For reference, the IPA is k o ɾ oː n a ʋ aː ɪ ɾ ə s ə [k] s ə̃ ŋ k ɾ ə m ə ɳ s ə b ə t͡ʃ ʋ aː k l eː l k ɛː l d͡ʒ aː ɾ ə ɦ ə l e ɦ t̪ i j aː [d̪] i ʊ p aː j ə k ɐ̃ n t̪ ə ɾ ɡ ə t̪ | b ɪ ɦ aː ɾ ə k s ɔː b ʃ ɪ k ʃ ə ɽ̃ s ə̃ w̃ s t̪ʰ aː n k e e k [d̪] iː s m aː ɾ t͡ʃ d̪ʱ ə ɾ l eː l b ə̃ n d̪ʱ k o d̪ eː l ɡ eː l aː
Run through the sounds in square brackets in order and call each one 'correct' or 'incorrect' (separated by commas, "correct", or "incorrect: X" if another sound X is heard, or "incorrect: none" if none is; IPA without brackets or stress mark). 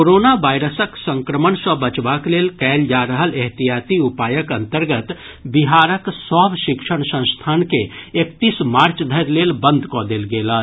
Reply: correct, incorrect: t̪, incorrect: t̪